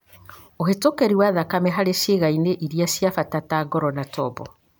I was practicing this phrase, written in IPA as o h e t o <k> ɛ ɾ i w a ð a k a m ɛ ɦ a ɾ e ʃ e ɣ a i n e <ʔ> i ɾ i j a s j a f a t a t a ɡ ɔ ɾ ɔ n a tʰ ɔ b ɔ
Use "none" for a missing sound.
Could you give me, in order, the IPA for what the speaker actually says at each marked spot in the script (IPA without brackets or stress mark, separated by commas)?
k, ʔ